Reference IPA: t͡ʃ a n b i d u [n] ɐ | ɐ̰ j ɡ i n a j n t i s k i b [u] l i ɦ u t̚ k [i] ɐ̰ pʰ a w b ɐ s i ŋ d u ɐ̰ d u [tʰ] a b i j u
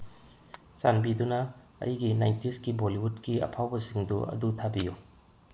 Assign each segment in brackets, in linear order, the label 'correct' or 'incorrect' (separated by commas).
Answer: correct, incorrect, correct, correct